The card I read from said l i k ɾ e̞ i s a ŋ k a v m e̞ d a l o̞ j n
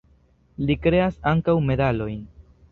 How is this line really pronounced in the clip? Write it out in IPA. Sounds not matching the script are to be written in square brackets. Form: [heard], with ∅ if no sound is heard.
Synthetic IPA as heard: l i k ɾ e̞ [a] s a ŋ k a [w] m e̞ d a l o̞ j n